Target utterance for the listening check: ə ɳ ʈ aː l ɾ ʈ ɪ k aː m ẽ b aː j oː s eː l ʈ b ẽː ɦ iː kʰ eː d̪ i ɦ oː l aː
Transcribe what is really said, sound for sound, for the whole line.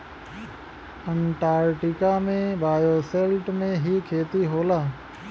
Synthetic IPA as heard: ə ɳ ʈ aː ɾ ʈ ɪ k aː m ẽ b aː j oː s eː l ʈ m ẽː ɦ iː kʰ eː t̪ i ɦ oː l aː